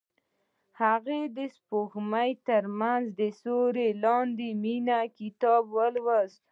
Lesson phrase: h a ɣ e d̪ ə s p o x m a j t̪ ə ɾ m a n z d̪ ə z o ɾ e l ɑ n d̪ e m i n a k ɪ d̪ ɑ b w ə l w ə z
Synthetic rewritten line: h a ɣ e d̪ ə s p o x m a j t̪ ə ɾ m a n z d̪ ə s o ɾ e l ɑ n d̪ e m i n a k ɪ t̪ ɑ b w ə l w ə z